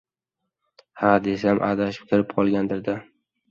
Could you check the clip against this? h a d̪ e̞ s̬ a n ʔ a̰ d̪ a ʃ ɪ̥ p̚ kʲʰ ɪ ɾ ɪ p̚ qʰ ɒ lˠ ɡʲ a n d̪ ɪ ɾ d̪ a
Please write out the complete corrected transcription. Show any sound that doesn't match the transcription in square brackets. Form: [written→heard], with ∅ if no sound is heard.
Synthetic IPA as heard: h a d̪ e̞ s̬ a [n→m] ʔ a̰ d̪ a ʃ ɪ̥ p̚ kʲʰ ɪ ɾ ɪ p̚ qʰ ɒ lˠ ɡʲ a n d̪ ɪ ɾ d̪ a